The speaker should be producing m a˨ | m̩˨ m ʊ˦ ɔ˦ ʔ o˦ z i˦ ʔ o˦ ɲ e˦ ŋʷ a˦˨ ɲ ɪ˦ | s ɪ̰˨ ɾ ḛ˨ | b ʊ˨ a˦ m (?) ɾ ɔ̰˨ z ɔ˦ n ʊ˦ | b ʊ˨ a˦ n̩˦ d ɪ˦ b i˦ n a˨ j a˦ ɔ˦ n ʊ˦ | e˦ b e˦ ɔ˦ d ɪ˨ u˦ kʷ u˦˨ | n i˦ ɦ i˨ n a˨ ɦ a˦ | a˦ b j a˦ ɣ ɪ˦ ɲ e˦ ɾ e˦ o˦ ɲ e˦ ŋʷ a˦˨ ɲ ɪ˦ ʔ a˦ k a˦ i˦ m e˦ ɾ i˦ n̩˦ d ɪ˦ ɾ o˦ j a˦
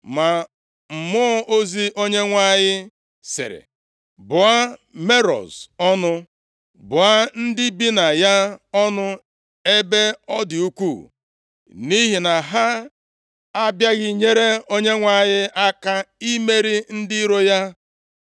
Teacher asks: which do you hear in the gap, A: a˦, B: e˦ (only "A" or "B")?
B